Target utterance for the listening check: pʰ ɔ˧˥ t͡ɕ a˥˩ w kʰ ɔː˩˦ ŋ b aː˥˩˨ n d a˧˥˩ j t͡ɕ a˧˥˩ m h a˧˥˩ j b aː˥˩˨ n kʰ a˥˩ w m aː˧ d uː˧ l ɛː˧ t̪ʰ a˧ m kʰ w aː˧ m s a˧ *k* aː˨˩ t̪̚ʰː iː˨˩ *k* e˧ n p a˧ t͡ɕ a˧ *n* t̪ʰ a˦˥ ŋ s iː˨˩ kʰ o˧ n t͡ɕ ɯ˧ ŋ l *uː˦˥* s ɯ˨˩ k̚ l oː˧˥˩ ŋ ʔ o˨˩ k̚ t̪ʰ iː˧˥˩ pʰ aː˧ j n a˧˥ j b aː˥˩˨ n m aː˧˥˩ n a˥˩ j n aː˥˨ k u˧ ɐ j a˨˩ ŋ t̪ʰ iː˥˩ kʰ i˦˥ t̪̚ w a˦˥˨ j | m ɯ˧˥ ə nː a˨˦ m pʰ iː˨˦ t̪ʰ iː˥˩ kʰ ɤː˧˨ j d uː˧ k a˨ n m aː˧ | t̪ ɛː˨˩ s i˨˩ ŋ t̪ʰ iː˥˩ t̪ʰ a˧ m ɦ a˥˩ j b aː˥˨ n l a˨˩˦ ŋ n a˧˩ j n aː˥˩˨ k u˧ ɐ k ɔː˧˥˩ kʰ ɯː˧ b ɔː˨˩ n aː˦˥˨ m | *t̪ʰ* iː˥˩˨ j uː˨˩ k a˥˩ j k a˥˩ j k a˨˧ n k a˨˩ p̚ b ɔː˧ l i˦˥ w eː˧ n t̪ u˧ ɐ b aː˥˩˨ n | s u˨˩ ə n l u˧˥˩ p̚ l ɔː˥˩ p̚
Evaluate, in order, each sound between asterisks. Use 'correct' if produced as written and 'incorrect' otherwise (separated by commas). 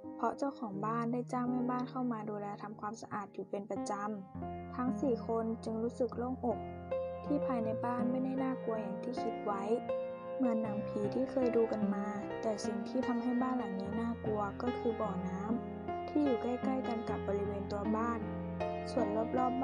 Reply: incorrect, incorrect, incorrect, correct, correct